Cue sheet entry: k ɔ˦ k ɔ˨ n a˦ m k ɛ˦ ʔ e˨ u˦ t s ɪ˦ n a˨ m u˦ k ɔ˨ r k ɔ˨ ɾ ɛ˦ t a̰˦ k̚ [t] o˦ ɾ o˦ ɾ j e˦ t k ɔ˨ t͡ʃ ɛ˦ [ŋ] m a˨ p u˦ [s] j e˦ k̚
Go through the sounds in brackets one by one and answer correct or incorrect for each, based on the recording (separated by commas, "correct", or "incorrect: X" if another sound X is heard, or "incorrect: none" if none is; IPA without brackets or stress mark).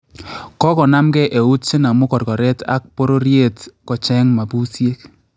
incorrect: p, correct, correct